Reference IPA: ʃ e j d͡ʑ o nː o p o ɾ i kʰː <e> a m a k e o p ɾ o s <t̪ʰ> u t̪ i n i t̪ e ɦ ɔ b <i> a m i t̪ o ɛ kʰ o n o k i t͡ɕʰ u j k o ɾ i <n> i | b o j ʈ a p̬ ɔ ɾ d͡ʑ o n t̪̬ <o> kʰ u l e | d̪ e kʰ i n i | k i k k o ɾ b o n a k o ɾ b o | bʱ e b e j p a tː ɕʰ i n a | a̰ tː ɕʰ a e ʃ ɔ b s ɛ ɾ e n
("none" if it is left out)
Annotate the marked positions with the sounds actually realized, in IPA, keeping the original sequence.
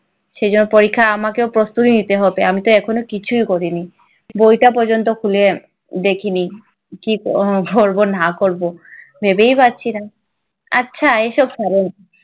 a, t̪, e, n, o

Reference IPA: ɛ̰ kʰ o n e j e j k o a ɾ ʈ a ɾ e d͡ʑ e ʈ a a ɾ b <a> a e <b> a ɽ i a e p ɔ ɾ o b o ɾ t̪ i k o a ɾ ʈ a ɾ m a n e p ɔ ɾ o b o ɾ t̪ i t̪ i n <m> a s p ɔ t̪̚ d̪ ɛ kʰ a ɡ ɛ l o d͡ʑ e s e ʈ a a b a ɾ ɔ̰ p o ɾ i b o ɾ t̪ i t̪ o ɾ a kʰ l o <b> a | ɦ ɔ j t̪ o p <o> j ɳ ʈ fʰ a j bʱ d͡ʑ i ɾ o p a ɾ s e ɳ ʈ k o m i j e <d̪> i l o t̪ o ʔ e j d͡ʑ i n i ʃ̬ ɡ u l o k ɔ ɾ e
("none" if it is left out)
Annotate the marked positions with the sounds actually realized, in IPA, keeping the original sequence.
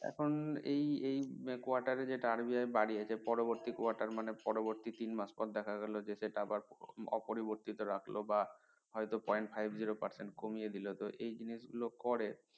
i, b, m, b, ɔ, d̪

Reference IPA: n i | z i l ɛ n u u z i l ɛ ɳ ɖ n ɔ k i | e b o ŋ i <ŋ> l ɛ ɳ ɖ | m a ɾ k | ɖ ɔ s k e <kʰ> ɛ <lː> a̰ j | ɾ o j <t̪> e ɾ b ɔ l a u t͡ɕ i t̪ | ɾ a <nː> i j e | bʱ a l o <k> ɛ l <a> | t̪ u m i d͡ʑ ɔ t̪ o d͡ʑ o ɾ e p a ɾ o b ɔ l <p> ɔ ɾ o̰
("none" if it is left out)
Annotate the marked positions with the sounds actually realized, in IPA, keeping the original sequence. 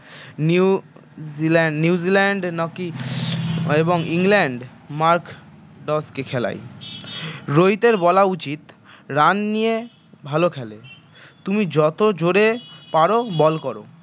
ŋ, kʰ, l, t̪, nː, kʰ, e, k

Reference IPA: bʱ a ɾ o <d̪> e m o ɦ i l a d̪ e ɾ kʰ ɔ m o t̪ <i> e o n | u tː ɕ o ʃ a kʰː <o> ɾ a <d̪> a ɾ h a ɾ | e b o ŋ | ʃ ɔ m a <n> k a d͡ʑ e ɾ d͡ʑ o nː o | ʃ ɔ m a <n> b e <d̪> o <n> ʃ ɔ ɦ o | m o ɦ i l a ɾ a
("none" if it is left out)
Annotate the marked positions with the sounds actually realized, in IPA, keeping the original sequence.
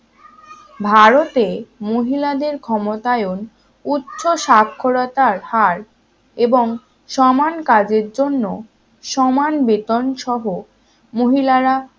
t̪, a, o, t̪, n, n, t̪, n

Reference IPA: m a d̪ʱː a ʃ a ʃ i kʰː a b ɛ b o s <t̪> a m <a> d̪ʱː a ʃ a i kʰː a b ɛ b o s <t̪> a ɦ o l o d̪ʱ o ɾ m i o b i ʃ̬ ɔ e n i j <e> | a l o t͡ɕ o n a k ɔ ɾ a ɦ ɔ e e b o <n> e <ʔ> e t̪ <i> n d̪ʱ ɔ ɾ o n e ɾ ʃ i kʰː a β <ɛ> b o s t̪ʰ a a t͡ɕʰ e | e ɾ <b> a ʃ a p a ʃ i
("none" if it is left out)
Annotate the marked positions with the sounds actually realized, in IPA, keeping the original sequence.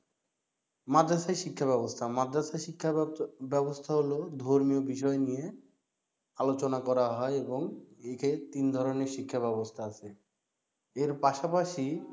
t̪ʰ, a, t̪ʰ, e, ŋ, k, i, ɛ, p

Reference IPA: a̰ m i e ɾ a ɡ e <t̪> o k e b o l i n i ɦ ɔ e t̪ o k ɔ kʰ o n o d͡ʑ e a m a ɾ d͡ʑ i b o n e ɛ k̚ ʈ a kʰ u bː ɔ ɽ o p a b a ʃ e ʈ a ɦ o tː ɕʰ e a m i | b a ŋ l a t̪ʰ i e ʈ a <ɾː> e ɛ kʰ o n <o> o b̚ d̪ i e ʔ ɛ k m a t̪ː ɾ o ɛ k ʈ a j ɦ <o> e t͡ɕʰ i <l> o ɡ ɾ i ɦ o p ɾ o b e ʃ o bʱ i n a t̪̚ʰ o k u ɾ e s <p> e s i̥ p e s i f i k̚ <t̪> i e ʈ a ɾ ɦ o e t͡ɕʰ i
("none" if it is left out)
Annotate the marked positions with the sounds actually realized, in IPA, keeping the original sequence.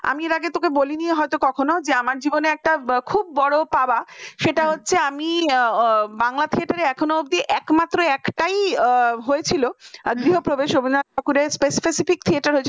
t̪, ɾ, o, o, l, p, t̪ʰ

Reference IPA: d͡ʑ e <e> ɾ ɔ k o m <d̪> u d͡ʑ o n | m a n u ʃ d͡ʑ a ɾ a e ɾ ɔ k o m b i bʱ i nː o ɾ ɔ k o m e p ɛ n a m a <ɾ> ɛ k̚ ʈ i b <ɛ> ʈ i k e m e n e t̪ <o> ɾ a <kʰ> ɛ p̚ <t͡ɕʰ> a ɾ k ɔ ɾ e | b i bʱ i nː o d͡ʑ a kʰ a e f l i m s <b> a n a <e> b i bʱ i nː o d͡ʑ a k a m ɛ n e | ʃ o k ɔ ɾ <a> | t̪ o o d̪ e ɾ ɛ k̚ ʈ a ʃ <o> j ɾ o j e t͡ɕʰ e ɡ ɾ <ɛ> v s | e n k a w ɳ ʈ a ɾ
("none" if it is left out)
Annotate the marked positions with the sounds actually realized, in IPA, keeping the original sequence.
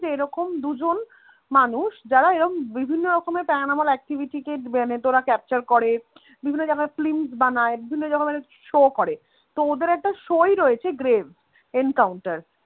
e, d̪, l, i, o, k, t͡ɕ, b, e, e, o, e

